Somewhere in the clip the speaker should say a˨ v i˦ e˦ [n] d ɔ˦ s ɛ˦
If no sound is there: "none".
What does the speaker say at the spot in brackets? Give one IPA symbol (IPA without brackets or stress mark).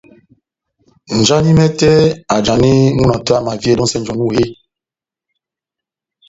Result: none